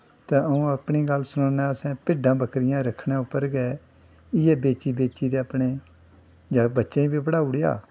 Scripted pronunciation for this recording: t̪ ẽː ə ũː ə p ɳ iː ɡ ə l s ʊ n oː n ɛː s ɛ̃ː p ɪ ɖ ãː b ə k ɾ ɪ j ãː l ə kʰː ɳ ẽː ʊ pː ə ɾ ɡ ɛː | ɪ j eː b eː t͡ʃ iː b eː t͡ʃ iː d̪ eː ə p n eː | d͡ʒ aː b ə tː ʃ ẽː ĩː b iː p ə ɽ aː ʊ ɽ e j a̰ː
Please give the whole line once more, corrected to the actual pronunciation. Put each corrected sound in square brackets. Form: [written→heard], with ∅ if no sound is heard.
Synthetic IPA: t̪ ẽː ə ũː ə p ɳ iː ɡ ə l s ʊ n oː n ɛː s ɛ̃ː p ɪ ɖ ãː b ə k ɾ ɪ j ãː [l→ɾ] ə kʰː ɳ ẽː ʊ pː ə ɾ ɡ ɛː | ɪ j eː b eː t͡ʃ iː b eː t͡ʃ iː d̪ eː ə p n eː | d͡ʒ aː b ə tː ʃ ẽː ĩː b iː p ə ɽ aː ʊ ɽ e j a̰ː